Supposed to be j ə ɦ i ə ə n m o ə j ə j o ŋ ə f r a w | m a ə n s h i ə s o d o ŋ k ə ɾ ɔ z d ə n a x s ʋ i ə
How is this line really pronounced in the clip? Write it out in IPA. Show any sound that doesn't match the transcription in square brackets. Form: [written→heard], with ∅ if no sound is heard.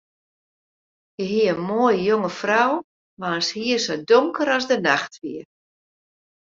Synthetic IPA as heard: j ə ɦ i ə ə n m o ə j ə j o ŋ ə f r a w | m a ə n s h i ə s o d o ŋ k ə ɾ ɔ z d ə n a x [s→t] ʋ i ə